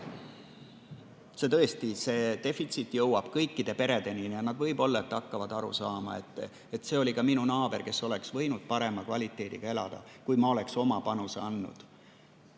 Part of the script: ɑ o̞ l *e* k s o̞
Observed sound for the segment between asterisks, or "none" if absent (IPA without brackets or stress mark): e